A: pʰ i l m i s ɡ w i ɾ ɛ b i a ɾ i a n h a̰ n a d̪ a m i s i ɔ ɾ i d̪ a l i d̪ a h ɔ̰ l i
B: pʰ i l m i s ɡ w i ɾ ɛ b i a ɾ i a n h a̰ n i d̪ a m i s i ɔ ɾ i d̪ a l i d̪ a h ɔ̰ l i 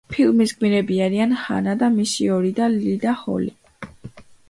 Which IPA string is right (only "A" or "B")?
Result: A